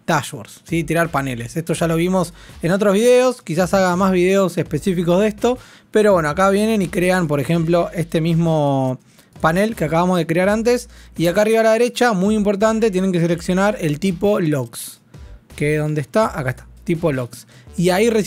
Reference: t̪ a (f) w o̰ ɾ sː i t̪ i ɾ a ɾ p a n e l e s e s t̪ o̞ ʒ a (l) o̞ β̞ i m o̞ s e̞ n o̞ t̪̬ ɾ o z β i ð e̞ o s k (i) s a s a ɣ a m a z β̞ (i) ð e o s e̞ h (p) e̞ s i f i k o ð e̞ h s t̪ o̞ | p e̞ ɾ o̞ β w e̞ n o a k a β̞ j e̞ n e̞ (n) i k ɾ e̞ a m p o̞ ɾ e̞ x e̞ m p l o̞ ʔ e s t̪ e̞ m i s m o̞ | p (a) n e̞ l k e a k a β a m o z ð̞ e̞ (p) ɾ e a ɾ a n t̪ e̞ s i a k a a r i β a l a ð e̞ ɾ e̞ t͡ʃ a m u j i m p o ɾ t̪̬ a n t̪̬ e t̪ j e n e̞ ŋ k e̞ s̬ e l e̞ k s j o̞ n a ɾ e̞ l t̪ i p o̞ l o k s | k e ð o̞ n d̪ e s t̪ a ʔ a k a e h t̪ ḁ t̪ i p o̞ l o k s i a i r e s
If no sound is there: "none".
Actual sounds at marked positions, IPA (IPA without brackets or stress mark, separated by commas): ʃ, l, i, i, p, n, a, k